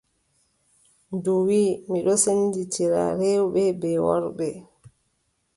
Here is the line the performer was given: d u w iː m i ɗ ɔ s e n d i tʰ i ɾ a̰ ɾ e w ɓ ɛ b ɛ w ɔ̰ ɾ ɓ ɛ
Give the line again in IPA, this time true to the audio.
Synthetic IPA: d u w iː m i ɗ ɔ s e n d i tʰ i ɾ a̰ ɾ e w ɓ ɛ b ɛ w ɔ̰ ɾ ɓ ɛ